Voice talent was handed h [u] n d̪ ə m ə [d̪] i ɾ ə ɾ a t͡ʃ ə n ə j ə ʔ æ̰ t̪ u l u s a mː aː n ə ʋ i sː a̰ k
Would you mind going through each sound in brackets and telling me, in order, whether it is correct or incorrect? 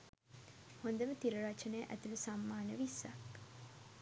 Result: incorrect, incorrect

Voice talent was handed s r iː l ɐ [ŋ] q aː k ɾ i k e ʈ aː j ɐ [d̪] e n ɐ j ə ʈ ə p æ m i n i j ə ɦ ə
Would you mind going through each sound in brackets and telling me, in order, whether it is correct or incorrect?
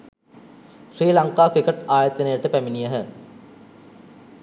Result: correct, incorrect

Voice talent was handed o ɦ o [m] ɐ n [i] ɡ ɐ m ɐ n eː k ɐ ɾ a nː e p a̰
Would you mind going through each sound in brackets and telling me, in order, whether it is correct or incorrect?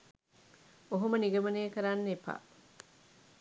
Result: correct, correct

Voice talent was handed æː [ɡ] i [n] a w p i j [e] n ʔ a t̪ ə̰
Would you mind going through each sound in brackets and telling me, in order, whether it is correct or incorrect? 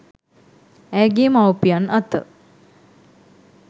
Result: correct, incorrect, incorrect

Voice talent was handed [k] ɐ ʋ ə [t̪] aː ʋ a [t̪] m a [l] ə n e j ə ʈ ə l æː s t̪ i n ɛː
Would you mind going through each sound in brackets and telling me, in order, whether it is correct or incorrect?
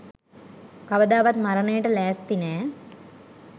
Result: correct, incorrect, correct, incorrect

